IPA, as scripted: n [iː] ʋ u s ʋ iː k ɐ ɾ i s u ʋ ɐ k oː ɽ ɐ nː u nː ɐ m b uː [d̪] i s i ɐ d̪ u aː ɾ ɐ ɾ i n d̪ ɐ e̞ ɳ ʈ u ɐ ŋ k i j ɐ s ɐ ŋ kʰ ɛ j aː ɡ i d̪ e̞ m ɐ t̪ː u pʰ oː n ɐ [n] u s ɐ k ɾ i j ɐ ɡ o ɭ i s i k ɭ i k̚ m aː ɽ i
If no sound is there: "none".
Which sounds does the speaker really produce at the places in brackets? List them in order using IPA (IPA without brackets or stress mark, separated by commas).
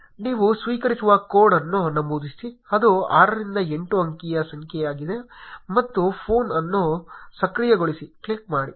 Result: iː, d̪, nː